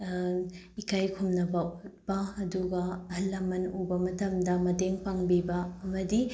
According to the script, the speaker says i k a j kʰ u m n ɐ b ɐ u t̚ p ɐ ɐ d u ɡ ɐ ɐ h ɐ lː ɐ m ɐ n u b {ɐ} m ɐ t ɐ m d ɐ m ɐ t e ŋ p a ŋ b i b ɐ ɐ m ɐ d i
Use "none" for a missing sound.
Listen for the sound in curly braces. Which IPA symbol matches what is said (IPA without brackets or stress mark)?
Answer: ɐ